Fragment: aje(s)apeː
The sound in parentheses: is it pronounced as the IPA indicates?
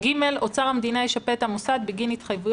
no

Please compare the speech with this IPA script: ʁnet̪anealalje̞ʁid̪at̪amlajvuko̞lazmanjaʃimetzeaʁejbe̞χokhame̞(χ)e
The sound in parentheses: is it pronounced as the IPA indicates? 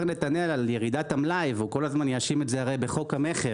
yes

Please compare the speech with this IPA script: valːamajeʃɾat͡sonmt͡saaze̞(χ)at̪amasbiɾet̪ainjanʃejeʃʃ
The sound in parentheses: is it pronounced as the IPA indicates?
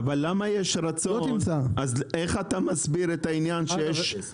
yes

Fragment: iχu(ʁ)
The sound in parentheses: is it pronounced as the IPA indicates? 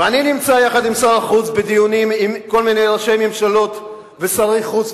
no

